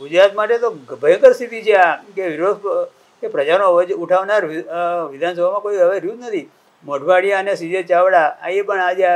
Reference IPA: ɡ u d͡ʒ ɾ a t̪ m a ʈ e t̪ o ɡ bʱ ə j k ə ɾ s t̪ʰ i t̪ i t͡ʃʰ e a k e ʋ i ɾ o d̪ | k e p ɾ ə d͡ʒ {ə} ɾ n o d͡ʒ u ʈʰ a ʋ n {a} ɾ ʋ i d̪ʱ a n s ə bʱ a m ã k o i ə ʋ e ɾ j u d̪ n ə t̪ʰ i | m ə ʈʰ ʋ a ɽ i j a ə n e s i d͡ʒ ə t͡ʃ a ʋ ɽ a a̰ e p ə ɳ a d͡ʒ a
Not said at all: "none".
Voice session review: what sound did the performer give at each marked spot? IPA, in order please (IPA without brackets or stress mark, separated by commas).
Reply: a, a